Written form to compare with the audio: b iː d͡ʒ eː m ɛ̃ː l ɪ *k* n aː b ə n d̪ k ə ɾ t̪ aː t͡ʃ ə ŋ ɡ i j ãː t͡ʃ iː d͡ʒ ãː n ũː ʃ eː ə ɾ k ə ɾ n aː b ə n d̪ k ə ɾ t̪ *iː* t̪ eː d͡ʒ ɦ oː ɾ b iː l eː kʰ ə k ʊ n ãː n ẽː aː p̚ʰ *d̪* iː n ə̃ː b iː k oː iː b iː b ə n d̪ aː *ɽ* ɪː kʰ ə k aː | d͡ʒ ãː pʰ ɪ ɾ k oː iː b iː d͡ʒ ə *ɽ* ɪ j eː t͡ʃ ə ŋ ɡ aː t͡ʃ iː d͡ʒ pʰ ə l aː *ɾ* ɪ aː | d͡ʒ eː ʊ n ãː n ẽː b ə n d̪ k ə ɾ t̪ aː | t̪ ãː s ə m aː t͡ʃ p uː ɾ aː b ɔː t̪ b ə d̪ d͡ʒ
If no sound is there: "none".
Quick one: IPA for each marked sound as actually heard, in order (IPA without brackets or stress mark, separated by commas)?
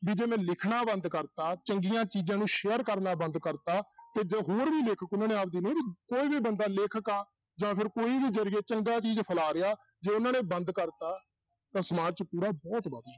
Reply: kʰ, aː, d̪, l, ɾ, ɾ